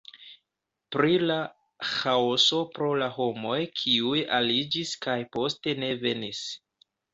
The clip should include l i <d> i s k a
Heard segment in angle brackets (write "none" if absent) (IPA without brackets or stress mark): d͡ʒ